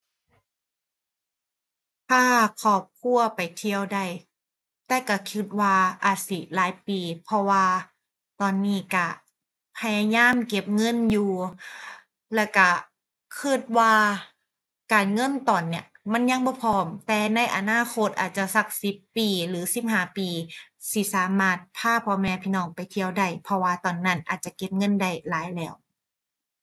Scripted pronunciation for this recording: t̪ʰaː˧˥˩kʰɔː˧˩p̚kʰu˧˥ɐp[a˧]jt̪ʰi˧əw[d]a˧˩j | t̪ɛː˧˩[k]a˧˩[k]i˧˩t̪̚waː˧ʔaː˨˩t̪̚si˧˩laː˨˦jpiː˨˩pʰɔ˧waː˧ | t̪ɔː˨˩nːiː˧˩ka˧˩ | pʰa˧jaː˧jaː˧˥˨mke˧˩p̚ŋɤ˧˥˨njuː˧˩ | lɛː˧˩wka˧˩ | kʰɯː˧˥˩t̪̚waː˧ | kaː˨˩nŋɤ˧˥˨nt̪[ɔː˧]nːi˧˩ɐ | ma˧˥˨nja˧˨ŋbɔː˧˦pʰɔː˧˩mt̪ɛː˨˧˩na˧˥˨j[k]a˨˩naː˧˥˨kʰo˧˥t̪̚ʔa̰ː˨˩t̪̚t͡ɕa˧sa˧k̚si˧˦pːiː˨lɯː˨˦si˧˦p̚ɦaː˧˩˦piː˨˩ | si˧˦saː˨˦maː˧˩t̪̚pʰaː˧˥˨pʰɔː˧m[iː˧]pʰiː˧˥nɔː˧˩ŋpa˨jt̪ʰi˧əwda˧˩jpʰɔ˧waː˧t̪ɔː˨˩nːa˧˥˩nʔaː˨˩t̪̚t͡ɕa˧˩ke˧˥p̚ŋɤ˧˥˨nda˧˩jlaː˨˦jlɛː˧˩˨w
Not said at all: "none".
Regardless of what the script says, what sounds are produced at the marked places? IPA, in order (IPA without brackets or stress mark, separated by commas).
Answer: a˨˩, d, k, kʰ, ɔː˨˩, ʔ, ɛː˧